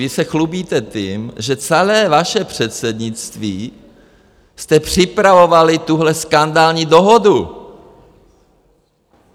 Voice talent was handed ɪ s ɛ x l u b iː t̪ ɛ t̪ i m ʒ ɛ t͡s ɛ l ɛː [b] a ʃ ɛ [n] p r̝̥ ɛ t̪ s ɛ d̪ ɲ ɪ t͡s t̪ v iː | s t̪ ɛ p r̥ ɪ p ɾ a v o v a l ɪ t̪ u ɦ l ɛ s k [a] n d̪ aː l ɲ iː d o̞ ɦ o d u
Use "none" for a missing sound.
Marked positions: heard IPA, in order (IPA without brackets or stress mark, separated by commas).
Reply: v, none, a